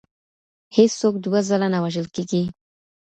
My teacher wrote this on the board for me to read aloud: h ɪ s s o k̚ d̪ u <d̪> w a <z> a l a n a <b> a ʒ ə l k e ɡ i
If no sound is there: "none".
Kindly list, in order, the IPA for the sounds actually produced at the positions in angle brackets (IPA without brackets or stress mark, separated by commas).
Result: none, z, w